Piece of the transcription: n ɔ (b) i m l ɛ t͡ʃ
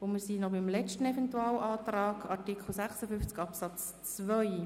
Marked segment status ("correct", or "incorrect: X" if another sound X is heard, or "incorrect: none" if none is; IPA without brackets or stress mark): correct